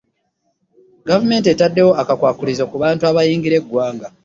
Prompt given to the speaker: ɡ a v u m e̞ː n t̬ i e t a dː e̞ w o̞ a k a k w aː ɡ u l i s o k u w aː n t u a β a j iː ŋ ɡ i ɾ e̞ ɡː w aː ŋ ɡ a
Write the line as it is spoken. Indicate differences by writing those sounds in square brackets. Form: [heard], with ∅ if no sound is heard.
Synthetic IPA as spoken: ɡ a v u m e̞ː n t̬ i e t a dː e̞ w o̞ a k a k w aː [k] u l i [z] o k u [β] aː n t u a β a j iː ŋ ɡ i ɾ e̞ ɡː w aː ŋ ɡ a